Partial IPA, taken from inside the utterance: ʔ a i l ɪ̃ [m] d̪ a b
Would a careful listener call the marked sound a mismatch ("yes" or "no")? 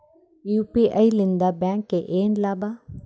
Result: yes